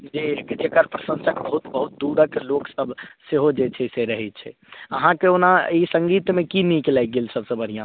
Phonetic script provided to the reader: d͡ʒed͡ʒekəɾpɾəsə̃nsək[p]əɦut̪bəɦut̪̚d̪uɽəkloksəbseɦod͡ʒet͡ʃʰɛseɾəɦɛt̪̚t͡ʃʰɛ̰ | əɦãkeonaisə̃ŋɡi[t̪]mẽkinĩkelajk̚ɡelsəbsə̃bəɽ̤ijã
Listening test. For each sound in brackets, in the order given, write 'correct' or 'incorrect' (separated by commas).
incorrect, correct